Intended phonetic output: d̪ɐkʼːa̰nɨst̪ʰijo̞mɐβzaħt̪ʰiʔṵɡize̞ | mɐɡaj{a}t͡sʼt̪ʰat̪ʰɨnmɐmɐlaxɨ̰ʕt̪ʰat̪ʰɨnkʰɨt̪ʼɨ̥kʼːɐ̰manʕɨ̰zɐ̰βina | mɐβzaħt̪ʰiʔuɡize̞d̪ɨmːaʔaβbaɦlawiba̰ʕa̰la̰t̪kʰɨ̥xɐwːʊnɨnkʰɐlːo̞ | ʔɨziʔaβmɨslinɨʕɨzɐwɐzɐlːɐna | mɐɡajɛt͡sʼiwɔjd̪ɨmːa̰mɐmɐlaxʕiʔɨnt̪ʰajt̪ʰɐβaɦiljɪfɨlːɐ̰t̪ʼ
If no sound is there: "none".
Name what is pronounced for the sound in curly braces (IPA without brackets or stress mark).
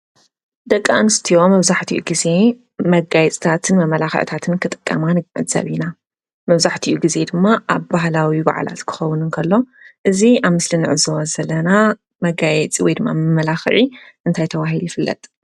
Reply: ɛ